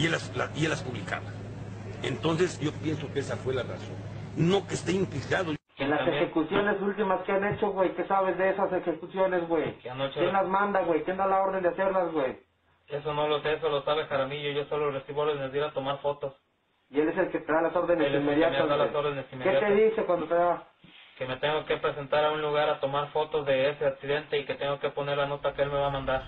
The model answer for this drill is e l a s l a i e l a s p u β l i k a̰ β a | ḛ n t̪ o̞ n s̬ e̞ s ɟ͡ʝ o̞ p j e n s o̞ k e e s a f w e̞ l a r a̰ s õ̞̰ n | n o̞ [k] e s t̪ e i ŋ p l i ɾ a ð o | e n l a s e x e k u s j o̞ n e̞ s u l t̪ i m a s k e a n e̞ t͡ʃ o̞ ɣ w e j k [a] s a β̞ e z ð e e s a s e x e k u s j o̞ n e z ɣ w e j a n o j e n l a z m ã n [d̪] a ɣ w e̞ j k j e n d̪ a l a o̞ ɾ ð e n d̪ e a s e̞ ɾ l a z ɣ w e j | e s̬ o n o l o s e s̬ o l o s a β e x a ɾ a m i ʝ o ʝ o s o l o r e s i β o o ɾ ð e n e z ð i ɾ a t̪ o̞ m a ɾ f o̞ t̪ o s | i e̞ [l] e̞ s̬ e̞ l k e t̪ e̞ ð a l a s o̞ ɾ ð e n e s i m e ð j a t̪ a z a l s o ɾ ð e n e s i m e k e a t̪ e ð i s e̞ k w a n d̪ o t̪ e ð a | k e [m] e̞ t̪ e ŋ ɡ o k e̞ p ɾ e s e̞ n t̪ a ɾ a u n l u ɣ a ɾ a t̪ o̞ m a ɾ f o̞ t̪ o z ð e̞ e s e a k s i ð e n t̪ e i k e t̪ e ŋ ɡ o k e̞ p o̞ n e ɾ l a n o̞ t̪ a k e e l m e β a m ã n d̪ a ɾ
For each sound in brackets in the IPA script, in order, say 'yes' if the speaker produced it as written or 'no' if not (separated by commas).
yes, no, yes, yes, yes